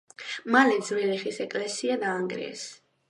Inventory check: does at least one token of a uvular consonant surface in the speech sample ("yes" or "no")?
yes